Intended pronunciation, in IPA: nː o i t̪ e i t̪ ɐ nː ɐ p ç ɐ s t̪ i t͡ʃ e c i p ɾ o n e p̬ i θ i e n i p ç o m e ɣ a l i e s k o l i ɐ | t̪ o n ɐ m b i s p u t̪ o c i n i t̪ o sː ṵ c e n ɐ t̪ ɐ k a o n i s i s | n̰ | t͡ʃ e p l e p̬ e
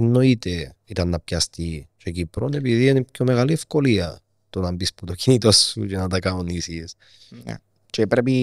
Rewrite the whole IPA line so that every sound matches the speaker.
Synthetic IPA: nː o i t̪ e i t̪ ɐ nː ɐ p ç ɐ s t̪ i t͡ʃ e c i p ɾ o n e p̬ i ð i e n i p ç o m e ɣ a l i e f k o l i ɐ | t̪ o n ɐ m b i s p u t̪ o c i n i t̪ o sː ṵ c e n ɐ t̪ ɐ k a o n i s i s | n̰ | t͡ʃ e p ɾ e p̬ i